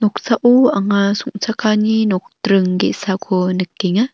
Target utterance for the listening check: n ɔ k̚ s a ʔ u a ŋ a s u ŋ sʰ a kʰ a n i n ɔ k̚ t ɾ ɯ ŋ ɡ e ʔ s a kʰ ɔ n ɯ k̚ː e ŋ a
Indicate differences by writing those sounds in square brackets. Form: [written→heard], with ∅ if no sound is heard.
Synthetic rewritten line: n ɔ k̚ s a ʔ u a ŋ a s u ŋ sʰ a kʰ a n i n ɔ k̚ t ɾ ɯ ŋ ɡ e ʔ s a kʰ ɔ n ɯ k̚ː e ŋ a